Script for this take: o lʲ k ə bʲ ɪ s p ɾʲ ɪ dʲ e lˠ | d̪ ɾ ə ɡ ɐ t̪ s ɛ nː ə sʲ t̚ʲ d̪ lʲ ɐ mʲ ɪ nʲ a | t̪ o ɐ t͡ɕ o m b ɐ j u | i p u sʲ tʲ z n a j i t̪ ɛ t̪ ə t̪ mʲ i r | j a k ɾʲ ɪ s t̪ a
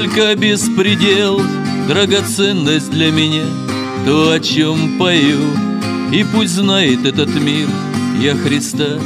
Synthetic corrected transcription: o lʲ k ə bʲ ɪ s p ɾʲ ɪ dʲ e lˠ | d̪ ɾ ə ɡ ɐ t̪ s ɛ nː ə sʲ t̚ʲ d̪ lʲ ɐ mʲ ɪ nʲ a | t̪ o ɐ t͡ɕ o m p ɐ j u | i p u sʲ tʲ z n a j ɪ t̪ ɛ t̪ ə t̪ mʲ i r | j a x ɾʲ ɪ s t̪ a